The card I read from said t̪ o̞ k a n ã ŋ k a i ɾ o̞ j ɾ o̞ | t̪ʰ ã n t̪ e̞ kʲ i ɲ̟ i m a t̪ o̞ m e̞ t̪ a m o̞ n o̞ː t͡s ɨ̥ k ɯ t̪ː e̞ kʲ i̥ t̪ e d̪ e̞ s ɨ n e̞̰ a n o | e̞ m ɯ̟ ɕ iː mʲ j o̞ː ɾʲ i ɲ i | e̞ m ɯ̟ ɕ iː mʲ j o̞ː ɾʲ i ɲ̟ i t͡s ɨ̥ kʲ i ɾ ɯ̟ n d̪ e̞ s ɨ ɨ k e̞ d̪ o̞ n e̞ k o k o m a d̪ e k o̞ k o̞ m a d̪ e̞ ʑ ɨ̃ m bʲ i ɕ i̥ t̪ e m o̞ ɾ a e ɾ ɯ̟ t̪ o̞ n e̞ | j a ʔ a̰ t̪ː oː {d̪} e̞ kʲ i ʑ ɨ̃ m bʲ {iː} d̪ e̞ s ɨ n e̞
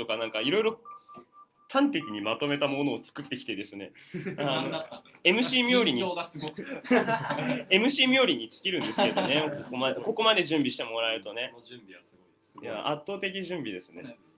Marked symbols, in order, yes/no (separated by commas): no, no